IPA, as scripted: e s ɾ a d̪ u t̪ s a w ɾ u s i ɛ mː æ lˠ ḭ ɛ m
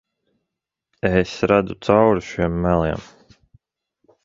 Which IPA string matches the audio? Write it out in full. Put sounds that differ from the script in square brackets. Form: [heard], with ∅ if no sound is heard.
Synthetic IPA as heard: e s ɾ a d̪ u t̪ s a w ɾ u [ʃ] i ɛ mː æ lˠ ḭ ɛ m